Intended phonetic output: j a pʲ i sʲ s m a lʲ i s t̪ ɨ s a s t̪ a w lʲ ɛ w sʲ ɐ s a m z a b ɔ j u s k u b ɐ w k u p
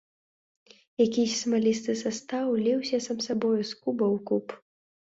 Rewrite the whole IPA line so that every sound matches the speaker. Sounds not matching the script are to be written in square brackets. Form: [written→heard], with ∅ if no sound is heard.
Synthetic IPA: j a [pʲ→kʲ] i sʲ s m a lʲ i s t̪ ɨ s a s t̪ a w lʲ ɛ w sʲ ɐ s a m [z→s] a b ɔ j u s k u b ɐ w k u p